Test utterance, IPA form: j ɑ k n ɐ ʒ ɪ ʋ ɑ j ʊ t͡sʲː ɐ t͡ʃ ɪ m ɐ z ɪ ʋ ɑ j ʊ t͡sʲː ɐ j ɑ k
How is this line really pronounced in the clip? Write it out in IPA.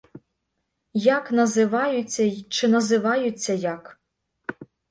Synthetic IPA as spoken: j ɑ k n ɐ z ɪ ʋ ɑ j ʊ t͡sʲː ɐ t͡ʃ ɪ n ɐ z ɪ ʋ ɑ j ʊ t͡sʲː ɐ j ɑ k